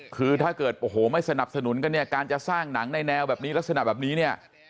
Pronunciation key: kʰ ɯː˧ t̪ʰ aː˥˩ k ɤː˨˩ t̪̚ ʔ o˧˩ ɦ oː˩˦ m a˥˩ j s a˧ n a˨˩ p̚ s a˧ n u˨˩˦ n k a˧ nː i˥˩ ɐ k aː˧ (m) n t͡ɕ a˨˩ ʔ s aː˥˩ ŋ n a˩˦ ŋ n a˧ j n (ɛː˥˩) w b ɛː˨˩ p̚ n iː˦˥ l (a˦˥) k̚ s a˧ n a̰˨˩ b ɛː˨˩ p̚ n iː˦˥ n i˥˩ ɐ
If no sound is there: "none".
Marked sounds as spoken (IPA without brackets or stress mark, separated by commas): none, ɛː˧, a˦˥